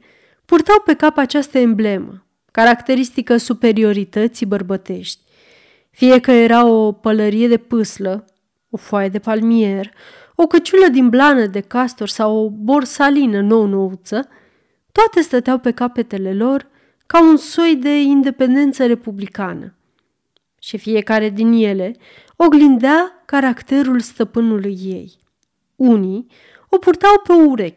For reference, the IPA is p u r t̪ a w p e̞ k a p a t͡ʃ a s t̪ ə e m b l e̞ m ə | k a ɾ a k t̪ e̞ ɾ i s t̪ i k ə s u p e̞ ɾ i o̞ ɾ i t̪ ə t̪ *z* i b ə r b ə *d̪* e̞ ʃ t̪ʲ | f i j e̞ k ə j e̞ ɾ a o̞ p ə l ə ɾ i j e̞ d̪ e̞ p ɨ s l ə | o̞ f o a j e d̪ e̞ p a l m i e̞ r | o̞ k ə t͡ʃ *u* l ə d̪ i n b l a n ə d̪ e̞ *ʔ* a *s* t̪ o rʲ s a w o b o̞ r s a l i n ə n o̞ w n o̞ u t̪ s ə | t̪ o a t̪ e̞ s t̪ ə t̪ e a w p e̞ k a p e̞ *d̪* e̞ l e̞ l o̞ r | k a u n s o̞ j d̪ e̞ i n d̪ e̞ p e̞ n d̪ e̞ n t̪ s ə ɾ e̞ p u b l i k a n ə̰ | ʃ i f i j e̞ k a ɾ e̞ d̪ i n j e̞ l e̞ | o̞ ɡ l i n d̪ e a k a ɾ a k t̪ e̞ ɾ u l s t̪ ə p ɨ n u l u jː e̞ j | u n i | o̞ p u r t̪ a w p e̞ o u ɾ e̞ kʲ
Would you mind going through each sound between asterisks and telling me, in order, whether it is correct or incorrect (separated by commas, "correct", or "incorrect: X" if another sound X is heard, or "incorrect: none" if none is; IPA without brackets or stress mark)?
incorrect: s, incorrect: t̪, correct, incorrect: k, correct, incorrect: t̪